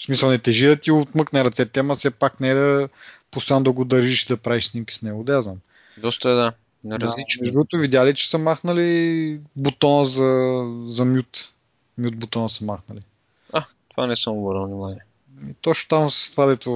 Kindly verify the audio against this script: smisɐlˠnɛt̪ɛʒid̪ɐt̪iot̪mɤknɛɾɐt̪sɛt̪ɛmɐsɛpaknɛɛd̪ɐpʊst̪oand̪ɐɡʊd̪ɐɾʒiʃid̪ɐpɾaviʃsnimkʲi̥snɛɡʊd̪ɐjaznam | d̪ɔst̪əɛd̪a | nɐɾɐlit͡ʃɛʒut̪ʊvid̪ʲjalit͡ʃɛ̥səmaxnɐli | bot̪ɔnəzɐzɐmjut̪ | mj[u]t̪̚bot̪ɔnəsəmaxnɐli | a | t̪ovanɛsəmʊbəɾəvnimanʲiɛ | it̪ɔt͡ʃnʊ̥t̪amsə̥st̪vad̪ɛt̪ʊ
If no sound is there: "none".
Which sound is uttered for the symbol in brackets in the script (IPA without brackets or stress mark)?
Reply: u